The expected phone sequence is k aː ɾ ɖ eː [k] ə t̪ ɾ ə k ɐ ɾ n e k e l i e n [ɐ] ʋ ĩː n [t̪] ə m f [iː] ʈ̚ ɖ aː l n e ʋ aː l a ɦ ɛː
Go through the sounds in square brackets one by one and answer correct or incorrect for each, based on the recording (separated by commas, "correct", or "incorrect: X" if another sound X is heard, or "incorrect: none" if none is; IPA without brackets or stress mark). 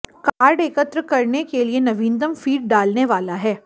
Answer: correct, correct, incorrect: d̪, correct